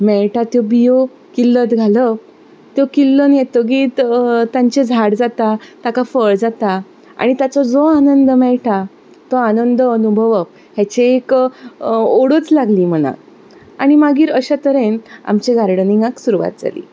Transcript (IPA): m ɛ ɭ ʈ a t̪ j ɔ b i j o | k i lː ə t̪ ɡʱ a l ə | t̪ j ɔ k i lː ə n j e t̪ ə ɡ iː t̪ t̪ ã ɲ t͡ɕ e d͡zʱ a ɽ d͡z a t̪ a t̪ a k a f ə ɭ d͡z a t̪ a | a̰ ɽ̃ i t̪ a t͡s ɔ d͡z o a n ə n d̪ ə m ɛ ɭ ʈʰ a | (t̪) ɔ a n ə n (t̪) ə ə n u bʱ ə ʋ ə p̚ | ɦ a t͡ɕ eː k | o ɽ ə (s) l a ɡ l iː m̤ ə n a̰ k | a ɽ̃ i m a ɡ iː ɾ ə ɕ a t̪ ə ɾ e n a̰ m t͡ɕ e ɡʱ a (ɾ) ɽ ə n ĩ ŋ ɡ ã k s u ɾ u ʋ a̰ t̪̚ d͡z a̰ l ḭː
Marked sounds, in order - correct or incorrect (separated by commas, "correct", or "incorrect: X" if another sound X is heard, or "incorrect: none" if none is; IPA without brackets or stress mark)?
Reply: correct, incorrect: d̪, incorrect: t͡s, correct